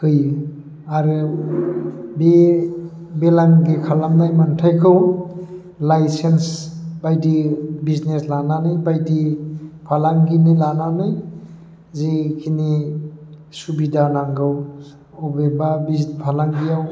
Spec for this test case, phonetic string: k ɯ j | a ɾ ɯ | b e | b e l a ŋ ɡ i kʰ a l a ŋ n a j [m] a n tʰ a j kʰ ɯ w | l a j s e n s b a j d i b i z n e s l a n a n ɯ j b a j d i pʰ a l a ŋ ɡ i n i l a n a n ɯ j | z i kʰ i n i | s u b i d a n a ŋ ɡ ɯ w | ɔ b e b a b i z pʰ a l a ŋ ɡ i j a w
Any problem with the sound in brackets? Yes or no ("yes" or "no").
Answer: no